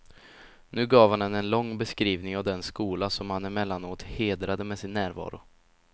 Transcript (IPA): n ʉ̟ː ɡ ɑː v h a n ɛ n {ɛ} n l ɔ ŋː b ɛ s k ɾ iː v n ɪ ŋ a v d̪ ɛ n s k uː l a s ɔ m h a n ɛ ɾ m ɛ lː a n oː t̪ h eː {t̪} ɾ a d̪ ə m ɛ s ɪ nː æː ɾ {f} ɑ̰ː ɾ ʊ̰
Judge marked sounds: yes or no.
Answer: yes, no, no

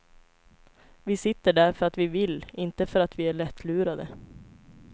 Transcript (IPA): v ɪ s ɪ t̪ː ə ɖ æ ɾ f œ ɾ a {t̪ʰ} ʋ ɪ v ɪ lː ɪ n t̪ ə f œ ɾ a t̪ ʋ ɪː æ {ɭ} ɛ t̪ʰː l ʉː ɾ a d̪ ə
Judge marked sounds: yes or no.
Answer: no, yes

